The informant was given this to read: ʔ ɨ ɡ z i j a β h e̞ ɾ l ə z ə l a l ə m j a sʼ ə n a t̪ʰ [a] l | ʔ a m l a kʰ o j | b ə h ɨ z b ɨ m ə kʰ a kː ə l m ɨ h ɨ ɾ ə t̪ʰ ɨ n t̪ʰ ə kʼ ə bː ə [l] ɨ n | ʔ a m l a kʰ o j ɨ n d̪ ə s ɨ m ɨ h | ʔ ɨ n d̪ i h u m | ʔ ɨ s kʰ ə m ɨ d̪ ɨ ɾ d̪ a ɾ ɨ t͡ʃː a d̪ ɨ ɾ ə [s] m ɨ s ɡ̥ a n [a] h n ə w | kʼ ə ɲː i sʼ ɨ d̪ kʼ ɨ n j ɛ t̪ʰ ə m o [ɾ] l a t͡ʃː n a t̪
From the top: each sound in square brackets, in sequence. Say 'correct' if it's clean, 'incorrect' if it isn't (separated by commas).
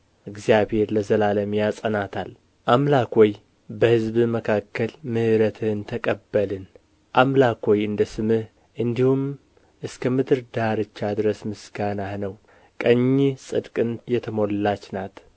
correct, correct, correct, correct, incorrect